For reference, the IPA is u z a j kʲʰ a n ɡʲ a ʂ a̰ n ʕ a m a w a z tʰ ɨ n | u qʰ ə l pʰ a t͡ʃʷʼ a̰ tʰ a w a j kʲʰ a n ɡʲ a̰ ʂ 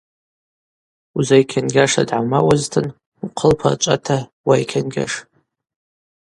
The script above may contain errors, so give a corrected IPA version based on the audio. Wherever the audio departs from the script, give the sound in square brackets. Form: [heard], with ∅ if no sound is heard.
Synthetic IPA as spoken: u z a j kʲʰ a n ɡʲ a ʂ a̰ [d] ʕ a m a w a z tʰ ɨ n | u qʰ ə l pʰ a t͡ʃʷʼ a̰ tʰ a w a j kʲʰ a n ɡʲ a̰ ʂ